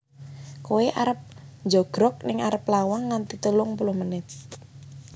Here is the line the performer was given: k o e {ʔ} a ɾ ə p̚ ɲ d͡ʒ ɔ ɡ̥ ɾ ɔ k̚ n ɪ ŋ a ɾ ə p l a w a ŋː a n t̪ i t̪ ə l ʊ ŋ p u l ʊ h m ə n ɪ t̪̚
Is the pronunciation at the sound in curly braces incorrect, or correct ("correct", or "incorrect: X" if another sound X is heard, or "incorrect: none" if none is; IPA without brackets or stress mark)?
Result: correct